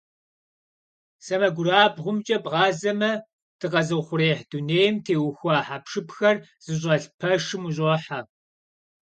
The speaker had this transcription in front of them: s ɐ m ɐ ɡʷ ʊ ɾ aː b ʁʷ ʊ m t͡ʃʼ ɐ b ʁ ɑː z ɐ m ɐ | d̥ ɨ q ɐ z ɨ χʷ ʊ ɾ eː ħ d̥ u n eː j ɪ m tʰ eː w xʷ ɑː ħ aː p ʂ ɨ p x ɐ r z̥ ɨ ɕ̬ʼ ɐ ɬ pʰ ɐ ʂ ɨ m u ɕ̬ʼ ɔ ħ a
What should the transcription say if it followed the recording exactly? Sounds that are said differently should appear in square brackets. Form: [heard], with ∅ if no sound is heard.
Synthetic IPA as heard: s ɐ m ɐ ɡʷ ʊ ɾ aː b ʁʷ ʊ m t͡ʃʼ ɐ b ʁ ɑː z ɐ m ɐ | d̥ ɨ q ɐ z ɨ χʷ ʊ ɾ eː ħ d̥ u n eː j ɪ m tʰ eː w xʷ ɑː ħ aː p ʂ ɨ p x ɐ r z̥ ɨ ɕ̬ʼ ɐ ɬ pʰ ɐ ʂ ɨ m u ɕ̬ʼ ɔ ħ a